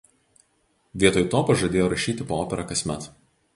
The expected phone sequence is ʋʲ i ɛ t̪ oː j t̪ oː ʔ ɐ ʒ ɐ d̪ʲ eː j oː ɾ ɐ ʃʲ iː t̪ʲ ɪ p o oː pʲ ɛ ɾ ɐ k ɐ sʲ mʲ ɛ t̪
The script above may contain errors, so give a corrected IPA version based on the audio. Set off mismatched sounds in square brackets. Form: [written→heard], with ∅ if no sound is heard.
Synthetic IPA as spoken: ʋʲ i ɛ t̪ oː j t̪ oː [ʔ→p] ɐ ʒ ɐ d̪ʲ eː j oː ɾ ɐ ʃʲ iː t̪ʲ ɪ p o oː pʲ ɛ ɾ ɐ k ɐ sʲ mʲ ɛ t̪